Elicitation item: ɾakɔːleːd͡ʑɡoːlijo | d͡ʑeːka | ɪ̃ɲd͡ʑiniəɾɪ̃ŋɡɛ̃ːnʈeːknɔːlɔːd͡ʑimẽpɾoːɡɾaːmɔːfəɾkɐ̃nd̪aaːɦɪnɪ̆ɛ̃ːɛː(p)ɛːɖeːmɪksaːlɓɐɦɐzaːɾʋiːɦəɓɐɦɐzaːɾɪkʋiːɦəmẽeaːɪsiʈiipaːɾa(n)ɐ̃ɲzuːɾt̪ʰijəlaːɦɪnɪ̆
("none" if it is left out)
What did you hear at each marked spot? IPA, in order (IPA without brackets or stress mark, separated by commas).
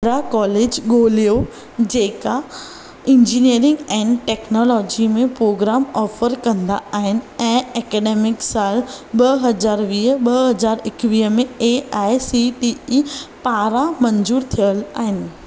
k, m